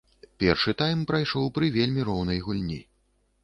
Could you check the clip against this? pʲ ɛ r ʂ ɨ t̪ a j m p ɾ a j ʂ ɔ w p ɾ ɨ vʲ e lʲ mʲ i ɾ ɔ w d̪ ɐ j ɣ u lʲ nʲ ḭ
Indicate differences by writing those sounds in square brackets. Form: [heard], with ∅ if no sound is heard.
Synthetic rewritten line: pʲ ɛ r ʂ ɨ t̪ a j m p ɾ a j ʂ ɔ w p ɾ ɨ vʲ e lʲ mʲ i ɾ ɔ w [n̪] ɐ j ɣ u lʲ nʲ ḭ